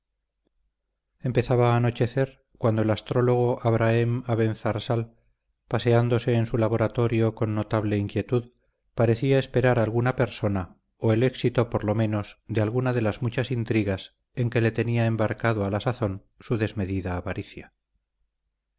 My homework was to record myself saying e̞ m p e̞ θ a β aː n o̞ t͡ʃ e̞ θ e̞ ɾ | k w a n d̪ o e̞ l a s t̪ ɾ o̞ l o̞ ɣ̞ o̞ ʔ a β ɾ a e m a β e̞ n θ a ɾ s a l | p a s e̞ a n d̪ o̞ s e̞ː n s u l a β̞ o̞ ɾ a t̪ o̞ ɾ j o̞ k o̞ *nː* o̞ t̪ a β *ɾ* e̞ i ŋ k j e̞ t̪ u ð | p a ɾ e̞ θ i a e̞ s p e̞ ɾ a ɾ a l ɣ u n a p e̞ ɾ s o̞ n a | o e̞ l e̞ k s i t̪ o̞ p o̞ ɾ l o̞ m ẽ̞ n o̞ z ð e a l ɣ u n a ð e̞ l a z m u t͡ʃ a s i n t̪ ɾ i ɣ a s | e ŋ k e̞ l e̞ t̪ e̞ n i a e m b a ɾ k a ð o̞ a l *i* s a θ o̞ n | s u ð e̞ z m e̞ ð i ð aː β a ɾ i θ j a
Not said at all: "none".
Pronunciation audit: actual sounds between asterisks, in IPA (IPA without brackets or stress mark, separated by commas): nː, l, a